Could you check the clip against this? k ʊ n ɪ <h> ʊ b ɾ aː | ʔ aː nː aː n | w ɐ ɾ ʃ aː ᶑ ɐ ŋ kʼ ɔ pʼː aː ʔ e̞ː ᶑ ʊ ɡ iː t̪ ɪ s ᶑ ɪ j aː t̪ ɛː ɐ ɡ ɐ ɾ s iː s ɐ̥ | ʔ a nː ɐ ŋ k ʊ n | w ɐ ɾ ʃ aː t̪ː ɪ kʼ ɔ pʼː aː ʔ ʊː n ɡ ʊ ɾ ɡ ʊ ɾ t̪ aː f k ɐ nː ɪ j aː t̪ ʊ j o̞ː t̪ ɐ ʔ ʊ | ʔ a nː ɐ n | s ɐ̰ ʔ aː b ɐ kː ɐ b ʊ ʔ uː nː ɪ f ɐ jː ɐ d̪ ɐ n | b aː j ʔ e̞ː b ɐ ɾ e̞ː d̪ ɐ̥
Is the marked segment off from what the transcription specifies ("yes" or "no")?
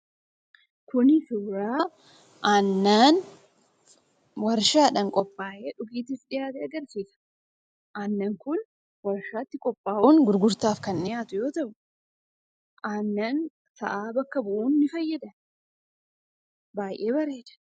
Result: yes